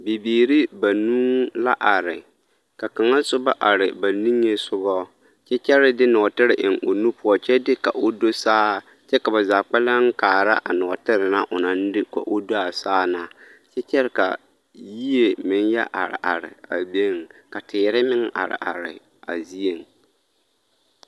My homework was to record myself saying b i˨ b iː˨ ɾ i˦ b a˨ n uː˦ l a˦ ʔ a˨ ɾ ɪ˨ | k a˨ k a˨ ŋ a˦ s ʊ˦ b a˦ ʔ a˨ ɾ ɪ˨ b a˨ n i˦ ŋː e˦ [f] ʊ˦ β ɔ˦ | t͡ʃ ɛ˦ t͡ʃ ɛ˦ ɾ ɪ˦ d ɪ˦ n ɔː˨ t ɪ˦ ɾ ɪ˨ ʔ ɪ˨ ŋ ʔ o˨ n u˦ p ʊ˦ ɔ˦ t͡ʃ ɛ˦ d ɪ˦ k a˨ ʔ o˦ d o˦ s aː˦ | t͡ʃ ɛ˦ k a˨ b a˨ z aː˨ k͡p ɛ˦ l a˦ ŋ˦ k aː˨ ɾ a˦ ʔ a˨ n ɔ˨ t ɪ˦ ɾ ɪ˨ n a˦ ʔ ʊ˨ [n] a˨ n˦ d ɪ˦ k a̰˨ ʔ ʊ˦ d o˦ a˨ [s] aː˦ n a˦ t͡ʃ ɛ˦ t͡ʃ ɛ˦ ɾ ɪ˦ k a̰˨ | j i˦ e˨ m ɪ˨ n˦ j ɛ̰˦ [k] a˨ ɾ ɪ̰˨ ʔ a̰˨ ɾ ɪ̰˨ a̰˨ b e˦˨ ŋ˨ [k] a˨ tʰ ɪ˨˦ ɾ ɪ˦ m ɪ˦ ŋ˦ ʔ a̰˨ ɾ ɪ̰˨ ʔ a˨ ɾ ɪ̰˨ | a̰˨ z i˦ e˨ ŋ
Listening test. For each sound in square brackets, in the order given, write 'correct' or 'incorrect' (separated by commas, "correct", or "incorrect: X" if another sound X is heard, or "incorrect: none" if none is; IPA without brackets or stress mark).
incorrect: s, correct, correct, incorrect: ʔ, correct